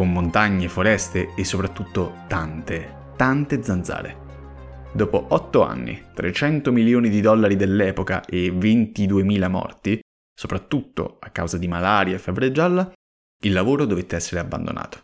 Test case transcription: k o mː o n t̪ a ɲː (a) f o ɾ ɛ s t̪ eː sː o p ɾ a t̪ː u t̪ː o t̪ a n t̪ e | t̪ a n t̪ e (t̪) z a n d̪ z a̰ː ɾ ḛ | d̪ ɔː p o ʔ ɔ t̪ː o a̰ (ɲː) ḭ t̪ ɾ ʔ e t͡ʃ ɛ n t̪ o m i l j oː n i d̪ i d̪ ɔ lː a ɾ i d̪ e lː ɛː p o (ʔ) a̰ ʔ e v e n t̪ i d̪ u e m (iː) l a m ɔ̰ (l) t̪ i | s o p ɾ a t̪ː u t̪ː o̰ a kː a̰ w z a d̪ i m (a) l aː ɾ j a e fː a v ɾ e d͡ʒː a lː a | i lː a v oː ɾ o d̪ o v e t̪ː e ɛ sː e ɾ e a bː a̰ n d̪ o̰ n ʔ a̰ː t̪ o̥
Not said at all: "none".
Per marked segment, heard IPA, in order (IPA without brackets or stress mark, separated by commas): e, d̪, nː, k, iː, r, a